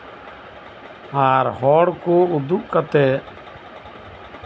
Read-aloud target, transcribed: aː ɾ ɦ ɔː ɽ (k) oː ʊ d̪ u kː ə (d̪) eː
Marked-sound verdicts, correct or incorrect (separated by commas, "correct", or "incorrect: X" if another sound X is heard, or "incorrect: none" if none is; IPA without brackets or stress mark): correct, incorrect: t̪